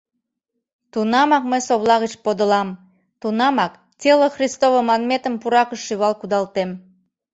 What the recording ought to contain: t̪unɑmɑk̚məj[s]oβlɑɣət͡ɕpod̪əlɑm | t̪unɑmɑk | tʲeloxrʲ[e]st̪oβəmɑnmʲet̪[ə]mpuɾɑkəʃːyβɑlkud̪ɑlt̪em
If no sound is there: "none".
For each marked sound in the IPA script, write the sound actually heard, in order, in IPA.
s, i, ə

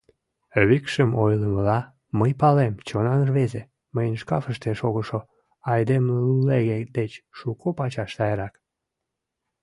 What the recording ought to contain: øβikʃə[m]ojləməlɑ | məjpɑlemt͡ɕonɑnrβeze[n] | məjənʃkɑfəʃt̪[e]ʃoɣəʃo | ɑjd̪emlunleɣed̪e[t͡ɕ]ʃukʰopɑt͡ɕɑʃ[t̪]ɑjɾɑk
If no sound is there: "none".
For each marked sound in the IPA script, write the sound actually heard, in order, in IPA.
m, none, e, t͡ɕ, t̪

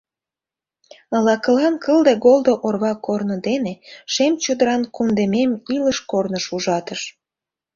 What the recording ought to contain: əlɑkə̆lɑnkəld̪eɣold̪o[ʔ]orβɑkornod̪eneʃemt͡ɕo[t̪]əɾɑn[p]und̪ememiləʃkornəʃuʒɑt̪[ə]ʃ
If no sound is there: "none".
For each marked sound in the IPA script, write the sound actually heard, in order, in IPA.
ʔ, d̪, k, ə

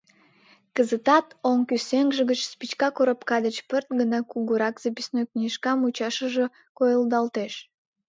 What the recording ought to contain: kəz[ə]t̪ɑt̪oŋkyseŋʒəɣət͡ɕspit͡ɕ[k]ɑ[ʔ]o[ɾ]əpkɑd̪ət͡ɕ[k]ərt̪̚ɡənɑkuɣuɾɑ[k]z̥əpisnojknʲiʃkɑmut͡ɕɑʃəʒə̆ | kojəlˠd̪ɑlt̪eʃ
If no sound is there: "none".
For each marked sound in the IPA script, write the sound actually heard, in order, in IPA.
ə, k, k, ɾ, p, k

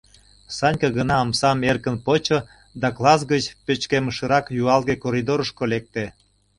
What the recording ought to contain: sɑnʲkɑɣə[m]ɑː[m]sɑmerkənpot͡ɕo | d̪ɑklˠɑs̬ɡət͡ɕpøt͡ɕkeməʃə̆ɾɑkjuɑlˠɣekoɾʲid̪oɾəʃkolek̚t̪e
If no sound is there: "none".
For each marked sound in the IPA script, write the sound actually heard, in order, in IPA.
n, m

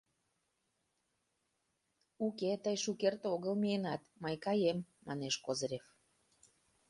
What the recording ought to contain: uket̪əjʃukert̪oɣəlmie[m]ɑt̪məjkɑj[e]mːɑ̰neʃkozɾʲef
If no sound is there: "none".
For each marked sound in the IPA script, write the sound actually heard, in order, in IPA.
n, e

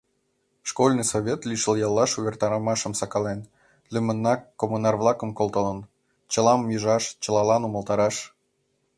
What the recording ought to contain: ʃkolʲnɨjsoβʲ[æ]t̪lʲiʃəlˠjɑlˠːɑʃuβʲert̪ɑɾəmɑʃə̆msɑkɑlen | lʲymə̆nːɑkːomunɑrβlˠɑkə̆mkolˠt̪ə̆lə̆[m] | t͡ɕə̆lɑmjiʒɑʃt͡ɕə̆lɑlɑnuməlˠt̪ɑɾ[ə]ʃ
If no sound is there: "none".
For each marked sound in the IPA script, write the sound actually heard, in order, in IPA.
e, n, ɑ

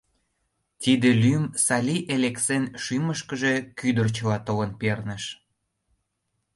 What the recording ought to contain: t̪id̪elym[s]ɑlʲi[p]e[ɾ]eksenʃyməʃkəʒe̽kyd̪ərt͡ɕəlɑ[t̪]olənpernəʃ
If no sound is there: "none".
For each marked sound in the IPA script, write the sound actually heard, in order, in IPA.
s, ʔ, l, t̪

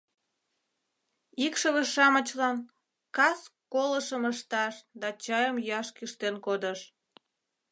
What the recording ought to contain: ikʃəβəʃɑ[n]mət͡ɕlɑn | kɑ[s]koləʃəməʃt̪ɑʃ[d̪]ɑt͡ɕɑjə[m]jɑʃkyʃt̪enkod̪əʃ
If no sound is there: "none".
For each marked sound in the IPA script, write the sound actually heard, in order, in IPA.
none, s, d̪, m

